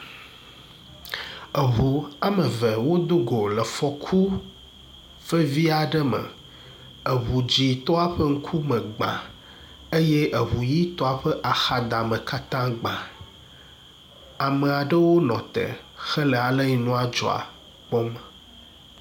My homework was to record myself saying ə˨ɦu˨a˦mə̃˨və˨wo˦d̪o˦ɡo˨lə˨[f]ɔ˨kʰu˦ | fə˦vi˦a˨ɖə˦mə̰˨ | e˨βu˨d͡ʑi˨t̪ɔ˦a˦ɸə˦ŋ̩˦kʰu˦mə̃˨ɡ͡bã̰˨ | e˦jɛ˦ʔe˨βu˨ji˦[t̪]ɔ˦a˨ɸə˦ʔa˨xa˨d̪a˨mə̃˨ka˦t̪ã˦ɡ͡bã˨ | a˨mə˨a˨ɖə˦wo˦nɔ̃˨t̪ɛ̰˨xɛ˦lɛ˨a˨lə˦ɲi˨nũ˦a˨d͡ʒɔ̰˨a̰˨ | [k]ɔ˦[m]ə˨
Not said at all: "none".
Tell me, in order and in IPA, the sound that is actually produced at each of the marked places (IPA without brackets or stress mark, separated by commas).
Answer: f, t̪, k͡p, m